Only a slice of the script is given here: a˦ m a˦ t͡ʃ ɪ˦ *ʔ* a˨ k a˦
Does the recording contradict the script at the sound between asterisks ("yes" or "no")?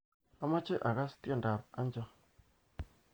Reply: no